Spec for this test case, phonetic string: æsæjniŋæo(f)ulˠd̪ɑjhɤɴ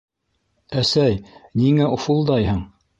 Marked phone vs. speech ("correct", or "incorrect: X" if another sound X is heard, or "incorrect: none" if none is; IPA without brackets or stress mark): correct